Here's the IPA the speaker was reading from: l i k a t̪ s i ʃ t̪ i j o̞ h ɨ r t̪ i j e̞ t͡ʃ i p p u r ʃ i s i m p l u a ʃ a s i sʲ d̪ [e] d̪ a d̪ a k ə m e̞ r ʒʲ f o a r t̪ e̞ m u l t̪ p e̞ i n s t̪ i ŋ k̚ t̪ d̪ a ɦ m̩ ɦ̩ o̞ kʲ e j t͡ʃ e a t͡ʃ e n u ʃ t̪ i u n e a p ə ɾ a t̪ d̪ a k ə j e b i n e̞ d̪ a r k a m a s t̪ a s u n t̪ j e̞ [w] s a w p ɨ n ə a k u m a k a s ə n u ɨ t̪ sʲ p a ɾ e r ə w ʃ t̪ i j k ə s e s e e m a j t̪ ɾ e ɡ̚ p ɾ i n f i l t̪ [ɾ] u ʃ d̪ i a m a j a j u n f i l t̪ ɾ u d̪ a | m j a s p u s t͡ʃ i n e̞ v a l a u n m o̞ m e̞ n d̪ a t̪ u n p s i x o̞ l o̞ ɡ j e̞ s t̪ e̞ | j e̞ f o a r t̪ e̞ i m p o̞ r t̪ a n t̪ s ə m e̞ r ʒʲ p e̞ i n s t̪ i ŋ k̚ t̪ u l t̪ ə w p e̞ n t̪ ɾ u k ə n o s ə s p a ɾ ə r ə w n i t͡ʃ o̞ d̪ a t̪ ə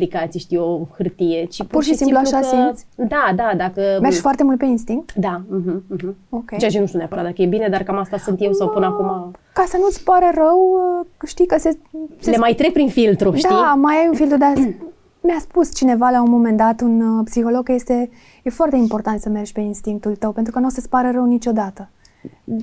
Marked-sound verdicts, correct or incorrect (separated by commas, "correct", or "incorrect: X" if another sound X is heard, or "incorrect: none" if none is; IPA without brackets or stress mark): incorrect: a, correct, correct